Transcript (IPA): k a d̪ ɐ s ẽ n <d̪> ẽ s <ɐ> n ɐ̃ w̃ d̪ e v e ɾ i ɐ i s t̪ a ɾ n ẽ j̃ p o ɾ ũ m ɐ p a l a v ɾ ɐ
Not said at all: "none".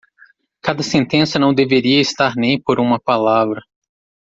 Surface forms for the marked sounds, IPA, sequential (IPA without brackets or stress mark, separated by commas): t̪, ɐ